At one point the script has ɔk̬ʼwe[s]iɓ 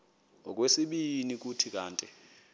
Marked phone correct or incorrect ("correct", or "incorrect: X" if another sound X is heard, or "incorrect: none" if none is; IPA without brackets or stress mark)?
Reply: correct